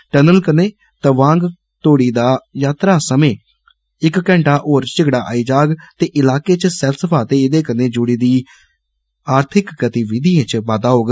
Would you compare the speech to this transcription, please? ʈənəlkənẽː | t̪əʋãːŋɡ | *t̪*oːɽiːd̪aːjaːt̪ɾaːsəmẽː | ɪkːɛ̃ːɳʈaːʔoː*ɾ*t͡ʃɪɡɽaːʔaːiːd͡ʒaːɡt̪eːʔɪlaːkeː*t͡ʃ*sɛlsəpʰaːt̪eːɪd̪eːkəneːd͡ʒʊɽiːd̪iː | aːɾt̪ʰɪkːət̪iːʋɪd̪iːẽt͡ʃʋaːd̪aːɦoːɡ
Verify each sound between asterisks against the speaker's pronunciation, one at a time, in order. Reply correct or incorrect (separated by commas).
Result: correct, correct, correct